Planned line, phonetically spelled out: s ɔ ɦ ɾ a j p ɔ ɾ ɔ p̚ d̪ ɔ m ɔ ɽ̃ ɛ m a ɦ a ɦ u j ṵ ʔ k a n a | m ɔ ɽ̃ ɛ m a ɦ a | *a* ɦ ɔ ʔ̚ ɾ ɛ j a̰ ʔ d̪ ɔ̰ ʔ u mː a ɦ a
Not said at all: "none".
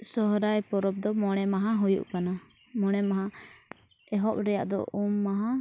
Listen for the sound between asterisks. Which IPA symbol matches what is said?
ɛ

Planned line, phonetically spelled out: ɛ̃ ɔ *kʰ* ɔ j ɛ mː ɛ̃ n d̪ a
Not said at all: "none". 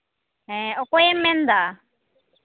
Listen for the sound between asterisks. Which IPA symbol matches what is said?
k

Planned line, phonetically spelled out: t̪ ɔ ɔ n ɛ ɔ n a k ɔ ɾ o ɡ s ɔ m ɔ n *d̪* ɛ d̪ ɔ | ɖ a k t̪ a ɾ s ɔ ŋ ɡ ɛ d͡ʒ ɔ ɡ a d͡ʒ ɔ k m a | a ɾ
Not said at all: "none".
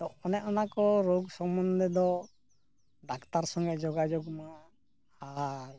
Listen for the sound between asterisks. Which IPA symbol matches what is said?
d̪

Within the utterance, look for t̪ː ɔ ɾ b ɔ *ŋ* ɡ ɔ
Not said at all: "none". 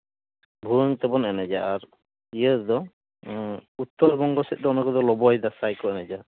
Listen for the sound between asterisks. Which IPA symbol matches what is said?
ŋ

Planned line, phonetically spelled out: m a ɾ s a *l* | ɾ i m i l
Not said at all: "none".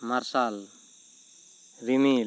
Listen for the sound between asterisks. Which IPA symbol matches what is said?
l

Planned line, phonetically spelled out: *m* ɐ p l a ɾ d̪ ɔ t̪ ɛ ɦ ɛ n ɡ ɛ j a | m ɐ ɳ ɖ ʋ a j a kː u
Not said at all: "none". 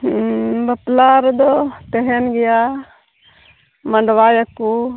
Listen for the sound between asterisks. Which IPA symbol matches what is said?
b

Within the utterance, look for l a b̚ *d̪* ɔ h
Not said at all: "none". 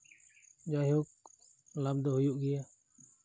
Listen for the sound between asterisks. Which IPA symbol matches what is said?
d̪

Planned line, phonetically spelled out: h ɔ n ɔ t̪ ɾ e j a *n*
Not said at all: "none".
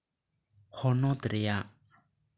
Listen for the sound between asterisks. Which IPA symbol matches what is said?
none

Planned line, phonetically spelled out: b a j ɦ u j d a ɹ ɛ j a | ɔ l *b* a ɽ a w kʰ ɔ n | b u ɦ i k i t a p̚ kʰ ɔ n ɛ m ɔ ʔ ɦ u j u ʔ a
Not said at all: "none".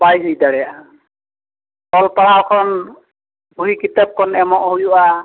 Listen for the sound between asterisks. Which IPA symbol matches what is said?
p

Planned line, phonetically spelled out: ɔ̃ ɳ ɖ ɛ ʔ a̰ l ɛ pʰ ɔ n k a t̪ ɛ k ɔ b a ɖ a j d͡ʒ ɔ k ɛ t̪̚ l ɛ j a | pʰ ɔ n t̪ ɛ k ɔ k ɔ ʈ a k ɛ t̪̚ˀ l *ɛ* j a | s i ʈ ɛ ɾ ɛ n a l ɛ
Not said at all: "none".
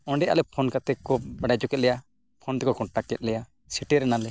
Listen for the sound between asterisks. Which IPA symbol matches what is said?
ɛ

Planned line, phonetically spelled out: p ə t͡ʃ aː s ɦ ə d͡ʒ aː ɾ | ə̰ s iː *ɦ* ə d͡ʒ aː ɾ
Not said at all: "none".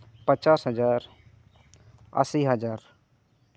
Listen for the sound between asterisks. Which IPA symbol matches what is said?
ɦ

